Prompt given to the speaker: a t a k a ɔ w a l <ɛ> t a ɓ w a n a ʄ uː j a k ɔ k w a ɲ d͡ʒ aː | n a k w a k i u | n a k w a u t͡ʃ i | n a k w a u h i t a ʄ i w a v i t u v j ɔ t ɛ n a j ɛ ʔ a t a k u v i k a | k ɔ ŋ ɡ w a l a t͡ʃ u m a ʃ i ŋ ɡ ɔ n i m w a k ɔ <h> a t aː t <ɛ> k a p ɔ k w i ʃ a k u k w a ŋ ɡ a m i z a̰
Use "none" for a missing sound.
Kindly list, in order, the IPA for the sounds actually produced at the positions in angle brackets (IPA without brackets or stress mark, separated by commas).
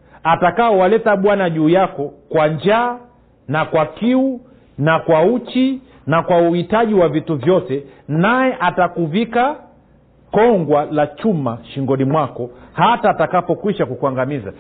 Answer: ɛ, h, a